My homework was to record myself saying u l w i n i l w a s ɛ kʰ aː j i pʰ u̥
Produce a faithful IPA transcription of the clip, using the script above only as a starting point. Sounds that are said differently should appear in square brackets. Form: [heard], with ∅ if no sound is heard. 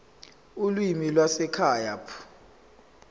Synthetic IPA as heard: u l w i [m] i l w a s ɛ kʰ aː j [a] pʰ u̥